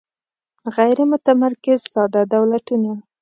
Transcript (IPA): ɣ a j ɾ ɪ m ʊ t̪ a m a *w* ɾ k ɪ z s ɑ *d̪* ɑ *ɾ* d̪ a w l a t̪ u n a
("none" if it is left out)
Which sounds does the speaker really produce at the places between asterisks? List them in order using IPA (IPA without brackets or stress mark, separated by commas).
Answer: none, d̪, none